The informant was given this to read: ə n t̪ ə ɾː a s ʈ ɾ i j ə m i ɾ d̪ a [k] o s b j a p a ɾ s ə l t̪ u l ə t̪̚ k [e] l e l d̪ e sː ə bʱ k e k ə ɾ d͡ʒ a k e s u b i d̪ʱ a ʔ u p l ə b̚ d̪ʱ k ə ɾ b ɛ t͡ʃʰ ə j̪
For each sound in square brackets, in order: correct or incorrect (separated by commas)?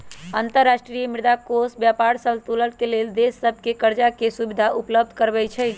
correct, correct